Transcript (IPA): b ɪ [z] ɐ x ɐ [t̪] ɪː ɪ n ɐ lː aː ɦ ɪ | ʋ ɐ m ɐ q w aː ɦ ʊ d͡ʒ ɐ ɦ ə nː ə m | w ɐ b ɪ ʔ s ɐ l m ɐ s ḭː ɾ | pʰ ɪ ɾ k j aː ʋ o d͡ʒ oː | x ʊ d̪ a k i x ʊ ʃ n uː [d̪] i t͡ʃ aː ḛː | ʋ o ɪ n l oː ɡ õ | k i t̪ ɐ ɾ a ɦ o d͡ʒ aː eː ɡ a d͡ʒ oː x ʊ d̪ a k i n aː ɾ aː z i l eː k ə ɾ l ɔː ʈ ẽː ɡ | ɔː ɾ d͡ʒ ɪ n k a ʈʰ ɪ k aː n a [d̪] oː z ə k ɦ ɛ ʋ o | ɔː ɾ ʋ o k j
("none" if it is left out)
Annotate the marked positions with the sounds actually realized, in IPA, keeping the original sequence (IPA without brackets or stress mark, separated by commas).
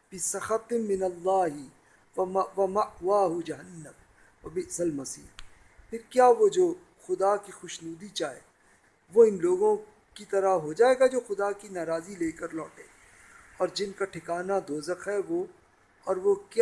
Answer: s, t̪, d̪, d̪